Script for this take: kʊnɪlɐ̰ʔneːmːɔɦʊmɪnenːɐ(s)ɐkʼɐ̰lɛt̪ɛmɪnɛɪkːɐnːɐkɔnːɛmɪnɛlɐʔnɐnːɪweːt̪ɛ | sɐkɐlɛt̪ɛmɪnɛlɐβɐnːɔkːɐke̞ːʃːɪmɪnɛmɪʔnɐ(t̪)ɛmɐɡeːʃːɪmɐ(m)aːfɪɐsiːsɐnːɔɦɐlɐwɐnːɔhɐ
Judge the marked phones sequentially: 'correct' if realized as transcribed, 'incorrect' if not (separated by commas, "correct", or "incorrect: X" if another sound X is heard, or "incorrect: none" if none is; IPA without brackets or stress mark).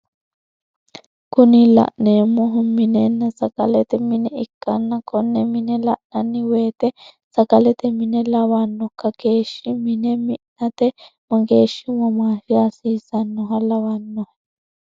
correct, correct, correct